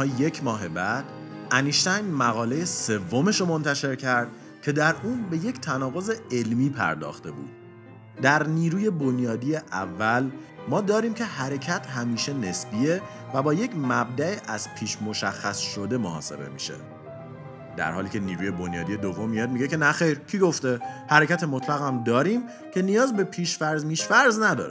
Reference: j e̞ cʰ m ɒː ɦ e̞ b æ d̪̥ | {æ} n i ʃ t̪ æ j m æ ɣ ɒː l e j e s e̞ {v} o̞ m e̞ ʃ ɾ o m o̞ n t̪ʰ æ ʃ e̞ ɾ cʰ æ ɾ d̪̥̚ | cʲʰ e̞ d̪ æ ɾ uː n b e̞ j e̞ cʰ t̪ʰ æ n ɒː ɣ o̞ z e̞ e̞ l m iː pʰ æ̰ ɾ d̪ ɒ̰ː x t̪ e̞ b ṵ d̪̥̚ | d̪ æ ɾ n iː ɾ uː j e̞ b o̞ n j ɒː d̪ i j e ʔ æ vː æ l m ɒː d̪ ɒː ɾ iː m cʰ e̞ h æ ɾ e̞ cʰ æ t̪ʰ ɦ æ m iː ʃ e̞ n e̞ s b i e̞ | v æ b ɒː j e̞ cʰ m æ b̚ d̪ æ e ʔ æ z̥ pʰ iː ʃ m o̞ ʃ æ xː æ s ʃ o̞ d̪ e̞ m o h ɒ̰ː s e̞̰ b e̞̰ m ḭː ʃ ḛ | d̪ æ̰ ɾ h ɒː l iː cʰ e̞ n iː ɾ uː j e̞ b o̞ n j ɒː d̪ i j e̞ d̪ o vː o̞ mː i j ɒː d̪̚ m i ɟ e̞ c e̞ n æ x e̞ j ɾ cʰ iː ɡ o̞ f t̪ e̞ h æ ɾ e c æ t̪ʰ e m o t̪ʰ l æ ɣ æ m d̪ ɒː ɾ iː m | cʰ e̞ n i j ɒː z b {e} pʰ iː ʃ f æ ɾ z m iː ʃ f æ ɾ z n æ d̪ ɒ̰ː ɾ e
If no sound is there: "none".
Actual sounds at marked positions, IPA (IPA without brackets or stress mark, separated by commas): æ, vː, e